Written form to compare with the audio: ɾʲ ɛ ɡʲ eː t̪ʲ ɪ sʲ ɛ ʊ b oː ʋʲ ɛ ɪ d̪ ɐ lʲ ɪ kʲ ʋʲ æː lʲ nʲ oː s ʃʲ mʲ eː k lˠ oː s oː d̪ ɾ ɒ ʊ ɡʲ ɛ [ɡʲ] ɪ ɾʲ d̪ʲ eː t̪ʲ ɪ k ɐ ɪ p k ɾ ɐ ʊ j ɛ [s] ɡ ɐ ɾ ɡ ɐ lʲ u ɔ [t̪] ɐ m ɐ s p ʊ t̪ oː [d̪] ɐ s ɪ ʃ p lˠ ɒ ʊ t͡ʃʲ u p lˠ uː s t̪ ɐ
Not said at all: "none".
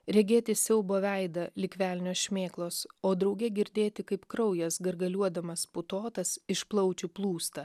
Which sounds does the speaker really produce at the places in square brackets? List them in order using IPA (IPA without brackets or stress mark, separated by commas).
ɡʲ, s, d̪, t̪